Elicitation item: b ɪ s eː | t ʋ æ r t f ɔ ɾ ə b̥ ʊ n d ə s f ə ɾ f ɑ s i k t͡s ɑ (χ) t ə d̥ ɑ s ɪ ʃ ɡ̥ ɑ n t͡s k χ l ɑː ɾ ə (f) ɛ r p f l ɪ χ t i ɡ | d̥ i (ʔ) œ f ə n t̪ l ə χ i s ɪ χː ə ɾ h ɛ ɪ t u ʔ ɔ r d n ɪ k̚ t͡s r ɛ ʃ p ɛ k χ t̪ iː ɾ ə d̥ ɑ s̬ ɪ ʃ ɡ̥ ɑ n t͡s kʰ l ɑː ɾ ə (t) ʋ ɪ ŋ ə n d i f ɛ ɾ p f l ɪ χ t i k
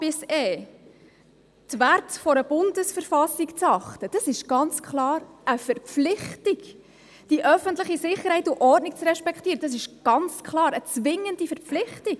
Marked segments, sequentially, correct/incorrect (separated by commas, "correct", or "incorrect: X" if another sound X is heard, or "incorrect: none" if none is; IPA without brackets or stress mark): correct, correct, correct, incorrect: t͡s